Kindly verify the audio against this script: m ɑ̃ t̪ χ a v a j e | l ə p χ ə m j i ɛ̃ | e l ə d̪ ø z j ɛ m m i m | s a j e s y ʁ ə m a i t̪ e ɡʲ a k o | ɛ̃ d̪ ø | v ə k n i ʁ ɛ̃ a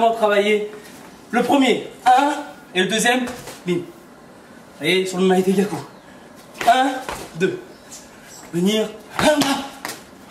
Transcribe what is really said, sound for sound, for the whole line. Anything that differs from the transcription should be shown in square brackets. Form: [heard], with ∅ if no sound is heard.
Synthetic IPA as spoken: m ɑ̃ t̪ χ a v a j e | l ə p χ ə m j [e] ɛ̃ | e l ə d̪ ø z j ɛ m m i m | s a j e s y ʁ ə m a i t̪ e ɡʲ a k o | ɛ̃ d̪ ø | v ə [∅] n i ʁ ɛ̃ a